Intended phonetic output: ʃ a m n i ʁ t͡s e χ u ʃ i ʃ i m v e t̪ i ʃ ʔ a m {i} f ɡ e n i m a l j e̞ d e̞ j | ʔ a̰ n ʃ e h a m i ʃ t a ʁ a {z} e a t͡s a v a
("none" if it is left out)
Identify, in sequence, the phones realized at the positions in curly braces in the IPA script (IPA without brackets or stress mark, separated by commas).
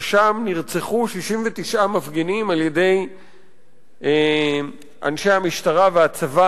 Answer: a, v